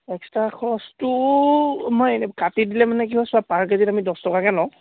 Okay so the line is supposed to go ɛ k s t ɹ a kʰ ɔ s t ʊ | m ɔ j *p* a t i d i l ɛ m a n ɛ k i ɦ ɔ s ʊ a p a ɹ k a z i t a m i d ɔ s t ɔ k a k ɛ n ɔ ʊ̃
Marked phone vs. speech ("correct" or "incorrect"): incorrect